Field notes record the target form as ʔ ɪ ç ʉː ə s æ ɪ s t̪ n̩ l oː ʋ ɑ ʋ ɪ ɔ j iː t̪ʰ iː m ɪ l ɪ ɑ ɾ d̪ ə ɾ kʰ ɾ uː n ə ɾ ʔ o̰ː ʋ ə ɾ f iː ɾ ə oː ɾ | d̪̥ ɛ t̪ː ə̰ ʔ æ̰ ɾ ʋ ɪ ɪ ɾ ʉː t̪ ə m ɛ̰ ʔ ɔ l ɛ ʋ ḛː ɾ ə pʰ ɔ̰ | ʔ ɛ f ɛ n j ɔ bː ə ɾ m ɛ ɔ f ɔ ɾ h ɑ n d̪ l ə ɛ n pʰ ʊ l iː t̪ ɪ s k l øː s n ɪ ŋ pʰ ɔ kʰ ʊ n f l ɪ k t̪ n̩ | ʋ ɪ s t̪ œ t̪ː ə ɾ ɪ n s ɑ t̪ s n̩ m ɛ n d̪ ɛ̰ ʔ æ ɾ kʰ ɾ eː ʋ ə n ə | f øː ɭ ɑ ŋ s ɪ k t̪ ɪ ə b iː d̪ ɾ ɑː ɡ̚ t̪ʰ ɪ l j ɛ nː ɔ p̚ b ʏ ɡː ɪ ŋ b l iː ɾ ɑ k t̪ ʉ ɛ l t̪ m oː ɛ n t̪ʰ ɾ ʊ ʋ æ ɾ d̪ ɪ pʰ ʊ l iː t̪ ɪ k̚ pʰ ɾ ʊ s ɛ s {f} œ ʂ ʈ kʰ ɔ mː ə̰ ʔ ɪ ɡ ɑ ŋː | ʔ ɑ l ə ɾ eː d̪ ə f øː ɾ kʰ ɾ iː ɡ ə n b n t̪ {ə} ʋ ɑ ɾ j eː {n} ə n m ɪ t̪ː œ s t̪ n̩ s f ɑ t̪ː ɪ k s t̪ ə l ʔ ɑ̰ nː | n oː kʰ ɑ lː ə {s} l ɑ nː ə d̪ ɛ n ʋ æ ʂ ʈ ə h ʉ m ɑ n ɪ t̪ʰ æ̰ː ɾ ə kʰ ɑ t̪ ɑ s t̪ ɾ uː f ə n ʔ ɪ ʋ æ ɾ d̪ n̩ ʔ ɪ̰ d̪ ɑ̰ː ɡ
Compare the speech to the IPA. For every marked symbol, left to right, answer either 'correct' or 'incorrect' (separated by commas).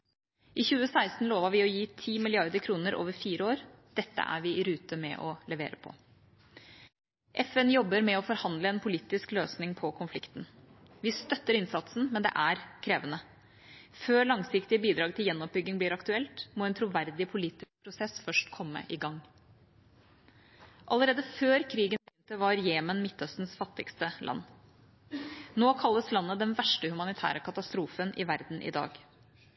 correct, correct, incorrect, correct